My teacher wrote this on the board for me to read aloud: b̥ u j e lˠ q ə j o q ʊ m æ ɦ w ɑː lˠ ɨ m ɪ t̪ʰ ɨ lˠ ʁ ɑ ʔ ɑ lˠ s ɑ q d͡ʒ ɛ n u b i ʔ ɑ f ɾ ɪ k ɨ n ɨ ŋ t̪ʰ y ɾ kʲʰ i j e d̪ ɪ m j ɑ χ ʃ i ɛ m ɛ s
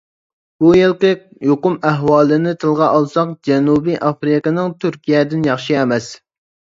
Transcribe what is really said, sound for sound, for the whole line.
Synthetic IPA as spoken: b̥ u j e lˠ q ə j o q ʊ m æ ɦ w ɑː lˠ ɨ n ɪ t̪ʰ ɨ lˠ ʁ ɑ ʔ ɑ lˠ s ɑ q d͡ʒ ɛ n u b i ʔ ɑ f ɾ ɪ k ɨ n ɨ ŋ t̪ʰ y ɾ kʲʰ i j ɛ d̪ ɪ n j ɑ χ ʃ i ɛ m ɛ s

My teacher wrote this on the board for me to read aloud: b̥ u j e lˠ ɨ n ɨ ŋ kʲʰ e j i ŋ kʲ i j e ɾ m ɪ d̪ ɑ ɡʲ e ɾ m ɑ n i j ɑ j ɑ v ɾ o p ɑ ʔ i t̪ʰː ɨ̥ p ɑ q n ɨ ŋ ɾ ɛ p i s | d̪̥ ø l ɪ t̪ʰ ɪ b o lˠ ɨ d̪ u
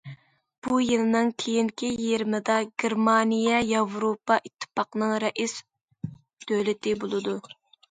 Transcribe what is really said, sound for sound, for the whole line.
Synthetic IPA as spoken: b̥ u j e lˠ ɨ n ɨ ŋ kʲʰ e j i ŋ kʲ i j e ɾ m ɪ d̪ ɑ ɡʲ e ɾ m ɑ n i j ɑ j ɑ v ɾ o p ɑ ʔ i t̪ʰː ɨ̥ p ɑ q n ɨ ŋ ɾ ɛ ʔ i s | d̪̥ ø l ɪ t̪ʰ ɪ b o lˠ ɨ d̪ u

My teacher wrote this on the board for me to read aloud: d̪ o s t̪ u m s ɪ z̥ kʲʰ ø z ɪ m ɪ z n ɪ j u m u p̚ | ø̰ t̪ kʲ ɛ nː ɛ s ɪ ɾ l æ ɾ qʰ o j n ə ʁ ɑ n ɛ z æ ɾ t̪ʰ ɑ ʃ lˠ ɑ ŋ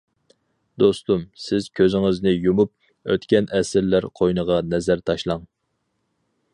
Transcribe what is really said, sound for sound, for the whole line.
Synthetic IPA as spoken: d̪ o s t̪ u m s ɪ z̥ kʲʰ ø z ɪ ŋ ɪ z n ɪ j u m u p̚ | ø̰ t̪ kʲ ɛ n ɛ s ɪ ɾ l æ ɾ qʰ o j n ə ʁ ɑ n ɛ z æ ɾ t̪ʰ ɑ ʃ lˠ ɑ ŋ

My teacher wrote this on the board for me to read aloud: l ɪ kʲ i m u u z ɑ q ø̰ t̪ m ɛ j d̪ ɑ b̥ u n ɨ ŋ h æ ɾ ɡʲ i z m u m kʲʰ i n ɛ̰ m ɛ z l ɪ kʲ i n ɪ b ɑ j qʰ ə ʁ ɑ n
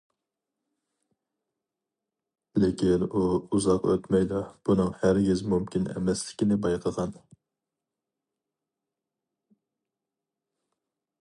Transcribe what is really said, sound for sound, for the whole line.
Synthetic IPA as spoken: l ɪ kʲ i n u u z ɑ q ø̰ t̪ m ɛ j d̪ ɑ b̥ u n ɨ ŋ h æ ɾ ɡʲ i z m u m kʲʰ i n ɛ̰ m ɛ s l ɪ kʲ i n ɪ b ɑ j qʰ ə ʁ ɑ n

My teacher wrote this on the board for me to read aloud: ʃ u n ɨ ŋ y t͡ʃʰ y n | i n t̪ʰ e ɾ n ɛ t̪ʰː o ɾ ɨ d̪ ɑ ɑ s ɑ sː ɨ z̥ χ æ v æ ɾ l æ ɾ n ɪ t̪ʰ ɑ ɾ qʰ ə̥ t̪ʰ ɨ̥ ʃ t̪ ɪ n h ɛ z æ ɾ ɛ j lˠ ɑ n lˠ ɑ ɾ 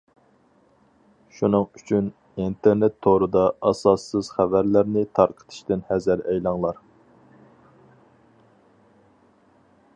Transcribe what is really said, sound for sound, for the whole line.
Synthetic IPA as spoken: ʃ u n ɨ ŋ y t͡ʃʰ y n | i n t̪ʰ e ɾ n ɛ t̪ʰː o ɾ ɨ d̪ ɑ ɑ s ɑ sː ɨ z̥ χ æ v æ ɾ l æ ɾ n ɪ t̪ʰ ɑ ɾ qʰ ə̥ t̪ʰ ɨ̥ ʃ t̪ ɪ n h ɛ z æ ɾ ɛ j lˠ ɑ ŋ lˠ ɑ ɾ

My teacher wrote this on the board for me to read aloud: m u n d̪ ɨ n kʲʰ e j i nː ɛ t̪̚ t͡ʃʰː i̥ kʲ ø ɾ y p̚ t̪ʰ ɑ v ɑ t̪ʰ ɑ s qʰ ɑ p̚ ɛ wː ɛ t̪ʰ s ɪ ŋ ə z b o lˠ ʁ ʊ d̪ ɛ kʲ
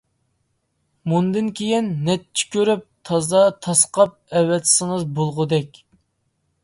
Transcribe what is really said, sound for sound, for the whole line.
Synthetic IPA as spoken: m u n d̪ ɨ n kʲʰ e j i nː ɛ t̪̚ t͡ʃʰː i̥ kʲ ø ɾ y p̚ t̪ʰ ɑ z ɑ t̪ʰ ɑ s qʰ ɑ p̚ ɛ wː ɛ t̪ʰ s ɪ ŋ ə z b o lˠ ʁ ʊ d̪ ɛ kʲ

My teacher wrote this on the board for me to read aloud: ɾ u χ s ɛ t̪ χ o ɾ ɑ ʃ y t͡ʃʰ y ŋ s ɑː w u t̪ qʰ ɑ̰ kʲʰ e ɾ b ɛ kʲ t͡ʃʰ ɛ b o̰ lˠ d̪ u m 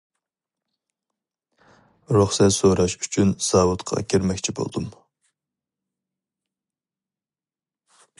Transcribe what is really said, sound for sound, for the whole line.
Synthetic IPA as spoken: ɾ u χ s ɛ t̪ s o ɾ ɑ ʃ y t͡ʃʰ y n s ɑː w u t̪ qʰ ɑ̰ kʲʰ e ɾ m ɛ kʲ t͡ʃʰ i b o̰ lˠ d̪ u m

